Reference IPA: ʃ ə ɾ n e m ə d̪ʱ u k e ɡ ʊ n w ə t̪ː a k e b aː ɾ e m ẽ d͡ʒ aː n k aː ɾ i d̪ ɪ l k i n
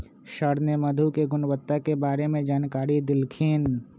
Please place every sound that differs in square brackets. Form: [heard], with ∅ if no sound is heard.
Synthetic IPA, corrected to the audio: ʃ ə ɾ n e m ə d̪ʱ u k e ɡ ʊ n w ə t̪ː a k e b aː ɾ e m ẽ d͡ʒ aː n k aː ɾ i d̪ ɪ l [kʰ] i n